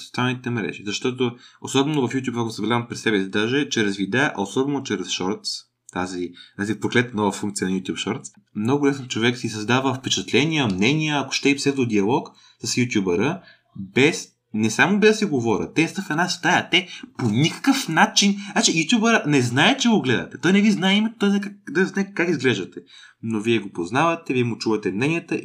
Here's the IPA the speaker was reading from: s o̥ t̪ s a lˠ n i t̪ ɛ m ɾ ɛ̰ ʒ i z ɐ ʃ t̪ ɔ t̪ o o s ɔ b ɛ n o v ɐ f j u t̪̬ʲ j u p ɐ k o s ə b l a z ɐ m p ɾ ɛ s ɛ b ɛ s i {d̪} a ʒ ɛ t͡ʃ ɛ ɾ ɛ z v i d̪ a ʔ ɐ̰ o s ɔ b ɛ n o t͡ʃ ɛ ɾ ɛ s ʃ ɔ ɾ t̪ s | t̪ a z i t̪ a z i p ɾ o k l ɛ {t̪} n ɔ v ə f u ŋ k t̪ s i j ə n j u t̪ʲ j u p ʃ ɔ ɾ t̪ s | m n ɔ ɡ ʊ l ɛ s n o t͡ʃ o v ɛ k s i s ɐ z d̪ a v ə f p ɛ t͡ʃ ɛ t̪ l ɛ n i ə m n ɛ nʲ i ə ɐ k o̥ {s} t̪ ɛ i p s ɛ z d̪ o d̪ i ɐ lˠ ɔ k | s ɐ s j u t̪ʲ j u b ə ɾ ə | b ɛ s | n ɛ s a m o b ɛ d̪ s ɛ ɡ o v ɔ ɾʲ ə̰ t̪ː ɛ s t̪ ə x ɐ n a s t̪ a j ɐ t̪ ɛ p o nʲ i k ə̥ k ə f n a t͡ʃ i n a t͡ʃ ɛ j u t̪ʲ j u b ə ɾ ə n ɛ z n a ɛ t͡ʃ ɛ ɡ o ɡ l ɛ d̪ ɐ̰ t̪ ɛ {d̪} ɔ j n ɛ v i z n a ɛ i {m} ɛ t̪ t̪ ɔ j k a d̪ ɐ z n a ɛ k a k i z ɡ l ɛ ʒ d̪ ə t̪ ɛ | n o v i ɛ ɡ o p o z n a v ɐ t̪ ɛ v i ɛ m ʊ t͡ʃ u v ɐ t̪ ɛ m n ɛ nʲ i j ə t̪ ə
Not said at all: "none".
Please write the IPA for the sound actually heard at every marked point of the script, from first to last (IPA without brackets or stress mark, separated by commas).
d̪, t̪, ʃ, t̪, m